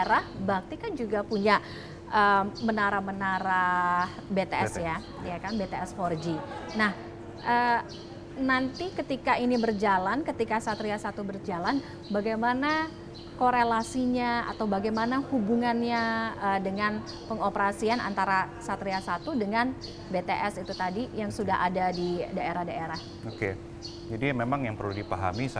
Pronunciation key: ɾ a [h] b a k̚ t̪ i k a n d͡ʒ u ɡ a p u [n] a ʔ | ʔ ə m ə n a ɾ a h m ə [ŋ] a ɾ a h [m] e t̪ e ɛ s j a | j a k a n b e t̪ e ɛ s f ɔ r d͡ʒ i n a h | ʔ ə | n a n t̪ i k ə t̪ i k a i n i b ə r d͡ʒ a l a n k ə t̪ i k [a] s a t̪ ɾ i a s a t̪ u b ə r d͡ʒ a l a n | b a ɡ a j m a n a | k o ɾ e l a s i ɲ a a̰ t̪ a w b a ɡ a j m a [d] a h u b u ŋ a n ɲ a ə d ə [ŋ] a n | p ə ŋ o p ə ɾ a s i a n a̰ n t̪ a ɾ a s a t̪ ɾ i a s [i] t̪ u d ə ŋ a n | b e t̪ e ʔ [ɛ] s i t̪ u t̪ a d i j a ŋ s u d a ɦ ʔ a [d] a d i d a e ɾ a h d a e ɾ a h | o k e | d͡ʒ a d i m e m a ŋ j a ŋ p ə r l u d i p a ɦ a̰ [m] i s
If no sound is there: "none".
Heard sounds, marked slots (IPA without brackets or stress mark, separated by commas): h, ɲ, n, b, a, n, ŋ, a, ɛ, d, m